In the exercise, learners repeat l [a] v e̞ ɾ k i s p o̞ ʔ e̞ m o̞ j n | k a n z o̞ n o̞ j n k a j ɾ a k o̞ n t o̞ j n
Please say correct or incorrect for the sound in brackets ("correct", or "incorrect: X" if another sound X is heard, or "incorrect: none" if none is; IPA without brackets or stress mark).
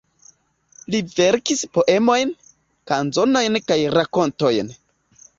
incorrect: i